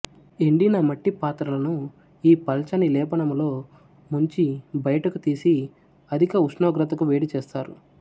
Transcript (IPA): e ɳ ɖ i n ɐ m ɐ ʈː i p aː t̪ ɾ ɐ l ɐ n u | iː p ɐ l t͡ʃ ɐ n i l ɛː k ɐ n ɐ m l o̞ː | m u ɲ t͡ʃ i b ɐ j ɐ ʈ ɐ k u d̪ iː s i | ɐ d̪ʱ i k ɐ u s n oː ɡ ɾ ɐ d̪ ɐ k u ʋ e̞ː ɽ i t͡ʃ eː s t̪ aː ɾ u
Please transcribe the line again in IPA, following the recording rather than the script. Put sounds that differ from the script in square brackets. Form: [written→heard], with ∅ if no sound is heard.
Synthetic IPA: e ɳ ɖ i n ɐ m ɐ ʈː i p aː t̪ ɾ ɐ l ɐ n u | iː p ɐ l t͡ʃ ɐ n i l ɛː [k→p] ɐ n ɐ m l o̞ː | m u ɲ t͡ʃ i b ɐ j ɐ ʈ ɐ k u [d̪→t̪] iː s i | ɐ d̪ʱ i k ɐ u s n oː ɡ ɾ ɐ [d̪→t̪] ɐ k u ʋ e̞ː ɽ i t͡ʃ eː s t̪ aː ɾ u

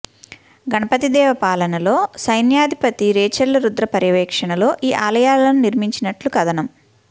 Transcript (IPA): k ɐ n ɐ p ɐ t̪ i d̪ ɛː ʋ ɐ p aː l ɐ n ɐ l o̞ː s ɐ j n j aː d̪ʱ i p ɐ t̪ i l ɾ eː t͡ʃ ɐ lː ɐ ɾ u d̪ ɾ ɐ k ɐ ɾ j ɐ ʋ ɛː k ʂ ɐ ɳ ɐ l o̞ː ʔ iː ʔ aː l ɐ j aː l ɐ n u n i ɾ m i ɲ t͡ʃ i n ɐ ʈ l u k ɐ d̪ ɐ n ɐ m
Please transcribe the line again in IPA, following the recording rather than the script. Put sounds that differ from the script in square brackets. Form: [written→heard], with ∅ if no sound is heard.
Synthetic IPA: [k→ɡ] ɐ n ɐ p ɐ t̪ i d̪ ɛː ʋ ɐ p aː l ɐ n ɐ l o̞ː s ɐ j n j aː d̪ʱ i p ɐ t̪ i [l→∅] ɾ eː t͡ʃ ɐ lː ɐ ɾ u d̪ ɾ ɐ [k→p] ɐ ɾ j ɐ ʋ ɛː k ʂ ɐ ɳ ɐ l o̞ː ʔ iː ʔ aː l ɐ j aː l ɐ n u n i ɾ m i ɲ t͡ʃ i n ɐ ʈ l u k ɐ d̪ ɐ n ɐ m

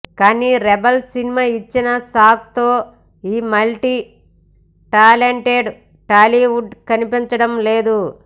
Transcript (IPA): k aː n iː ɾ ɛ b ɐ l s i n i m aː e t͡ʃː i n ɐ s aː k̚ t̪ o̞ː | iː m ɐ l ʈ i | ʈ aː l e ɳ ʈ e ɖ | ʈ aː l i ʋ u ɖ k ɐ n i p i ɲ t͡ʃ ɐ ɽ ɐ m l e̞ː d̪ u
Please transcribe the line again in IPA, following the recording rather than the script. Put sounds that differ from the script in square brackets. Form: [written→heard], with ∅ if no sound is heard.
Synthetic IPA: k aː n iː ɾ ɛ b ɐ l s i n i m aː [e→i] t͡ʃː i n ɐ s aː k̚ t̪ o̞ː | iː m ɐ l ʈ i | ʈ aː l e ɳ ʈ e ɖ | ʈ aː l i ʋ u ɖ k ɐ n i p i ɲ t͡ʃ ɐ ɽ ɐ m l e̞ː d̪ u

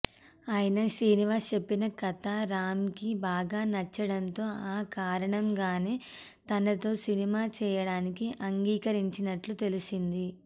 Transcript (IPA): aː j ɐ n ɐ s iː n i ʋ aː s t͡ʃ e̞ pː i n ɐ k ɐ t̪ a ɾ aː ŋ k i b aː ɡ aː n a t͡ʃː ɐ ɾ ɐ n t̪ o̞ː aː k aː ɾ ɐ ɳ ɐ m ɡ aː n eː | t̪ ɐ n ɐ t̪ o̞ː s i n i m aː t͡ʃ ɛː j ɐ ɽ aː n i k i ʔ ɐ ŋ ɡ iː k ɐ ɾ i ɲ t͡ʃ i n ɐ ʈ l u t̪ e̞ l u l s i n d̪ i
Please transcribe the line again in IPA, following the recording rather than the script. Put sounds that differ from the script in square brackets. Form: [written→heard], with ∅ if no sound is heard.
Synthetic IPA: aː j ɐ n ɐ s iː n i ʋ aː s t͡ʃ e̞ pː i n ɐ k ɐ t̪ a ɾ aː [ŋ→m] k i b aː ɡ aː n [a→ɐ] t͡ʃː ɐ [ɾ→ɽ] ɐ n t̪ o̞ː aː k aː ɾ ɐ ɳ ɐ m ɡ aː n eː | t̪ ɐ n ɐ t̪ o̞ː s i n i m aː t͡ʃ ɛː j ɐ ɽ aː n i k i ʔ ɐ ŋ ɡ iː k ɐ ɾ i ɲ t͡ʃ i n ɐ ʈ l u t̪ e̞ l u [l→∅] s i n d̪ i

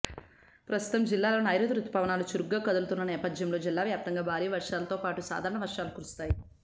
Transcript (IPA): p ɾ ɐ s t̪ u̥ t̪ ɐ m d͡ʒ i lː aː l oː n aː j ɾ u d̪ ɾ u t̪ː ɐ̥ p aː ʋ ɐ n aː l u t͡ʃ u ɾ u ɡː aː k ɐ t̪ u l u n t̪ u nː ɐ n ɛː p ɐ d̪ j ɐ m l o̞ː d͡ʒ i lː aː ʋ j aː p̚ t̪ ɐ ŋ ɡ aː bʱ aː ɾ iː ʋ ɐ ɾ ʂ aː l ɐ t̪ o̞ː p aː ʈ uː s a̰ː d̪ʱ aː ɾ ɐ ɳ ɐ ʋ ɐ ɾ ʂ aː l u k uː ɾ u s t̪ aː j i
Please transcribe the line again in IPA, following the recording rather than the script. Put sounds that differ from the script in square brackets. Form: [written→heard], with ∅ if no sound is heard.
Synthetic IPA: p ɾ ɐ s t̪ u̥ t̪ ɐ m d͡ʒ i lː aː l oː n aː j ɾ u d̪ ɾ u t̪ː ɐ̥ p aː ʋ ɐ n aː l u t͡ʃ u ɾ u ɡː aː k ɐ [t̪→d̪] u l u [n→∅] t̪ u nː ɐ n ɛː p ɐ d̪ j ɐ m l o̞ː d͡ʒ i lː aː ʋ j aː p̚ t̪ ɐ ŋ ɡ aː bʱ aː ɾ iː ʋ ɐ ɾ ʂ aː l ɐ t̪ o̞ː p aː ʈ [uː→u] s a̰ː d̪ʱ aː ɾ ɐ ɳ ɐ ʋ ɐ ɾ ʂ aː l u k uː ɾ u s t̪ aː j i

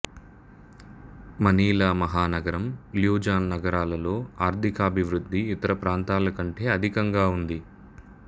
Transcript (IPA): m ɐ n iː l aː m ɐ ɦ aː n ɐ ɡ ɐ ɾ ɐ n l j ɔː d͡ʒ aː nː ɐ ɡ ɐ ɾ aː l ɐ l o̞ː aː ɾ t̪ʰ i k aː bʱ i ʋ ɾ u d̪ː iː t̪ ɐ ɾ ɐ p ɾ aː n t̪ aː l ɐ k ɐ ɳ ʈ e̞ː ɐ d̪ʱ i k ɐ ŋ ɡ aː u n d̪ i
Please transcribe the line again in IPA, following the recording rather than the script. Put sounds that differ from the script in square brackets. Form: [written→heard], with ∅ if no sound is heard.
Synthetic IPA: m ɐ n iː l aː m ɐ ɦ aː n ɐ ɡ ɐ ɾ ɐ [n→m] l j [ɔː→uː] d͡ʒ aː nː ɐ ɡ ɐ ɾ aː l ɐ l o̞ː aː ɾ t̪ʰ i k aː bʱ i ʋ ɾ u d̪ː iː t̪ ɐ ɾ ɐ p ɾ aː n t̪ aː l ɐ k ɐ ɳ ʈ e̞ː ɐ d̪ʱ i k ɐ ŋ ɡ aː u n d̪ i

